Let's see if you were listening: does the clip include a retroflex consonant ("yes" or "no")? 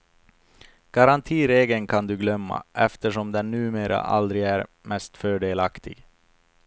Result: yes